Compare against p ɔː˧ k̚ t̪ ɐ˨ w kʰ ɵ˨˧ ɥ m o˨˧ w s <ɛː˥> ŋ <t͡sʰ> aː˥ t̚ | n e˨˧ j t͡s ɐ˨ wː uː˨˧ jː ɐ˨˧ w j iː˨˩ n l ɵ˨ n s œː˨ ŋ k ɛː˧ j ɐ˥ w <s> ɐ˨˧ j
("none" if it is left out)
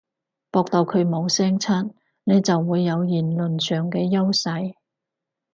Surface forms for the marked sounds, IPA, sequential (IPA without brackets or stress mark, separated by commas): ɛː˥, t͡sʰ, s